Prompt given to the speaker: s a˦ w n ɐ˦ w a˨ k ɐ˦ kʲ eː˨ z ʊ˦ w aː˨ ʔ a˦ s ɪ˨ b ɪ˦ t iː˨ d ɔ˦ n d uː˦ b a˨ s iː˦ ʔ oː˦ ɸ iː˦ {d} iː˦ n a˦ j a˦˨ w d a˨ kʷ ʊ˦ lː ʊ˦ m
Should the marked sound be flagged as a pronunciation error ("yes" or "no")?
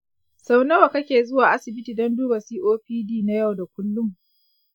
no